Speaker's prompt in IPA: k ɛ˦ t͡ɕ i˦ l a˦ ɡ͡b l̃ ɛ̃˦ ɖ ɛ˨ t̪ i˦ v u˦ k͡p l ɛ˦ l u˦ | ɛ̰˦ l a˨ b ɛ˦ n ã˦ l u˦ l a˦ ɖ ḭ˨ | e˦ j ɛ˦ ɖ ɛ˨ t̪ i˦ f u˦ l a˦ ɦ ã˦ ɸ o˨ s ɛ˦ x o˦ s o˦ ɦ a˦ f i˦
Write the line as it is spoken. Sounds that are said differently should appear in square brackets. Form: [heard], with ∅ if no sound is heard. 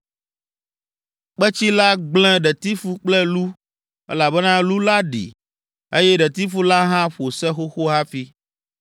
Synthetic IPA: [k͡p] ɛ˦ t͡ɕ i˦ l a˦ ɡ͡b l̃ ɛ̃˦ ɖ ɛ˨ t̪ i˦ [f] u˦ k͡p l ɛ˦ l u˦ | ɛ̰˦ l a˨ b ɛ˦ n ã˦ l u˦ l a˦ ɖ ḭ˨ | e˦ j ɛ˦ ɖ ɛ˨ t̪ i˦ f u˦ l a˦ ɦ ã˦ ɸ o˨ s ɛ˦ x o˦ [x] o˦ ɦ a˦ f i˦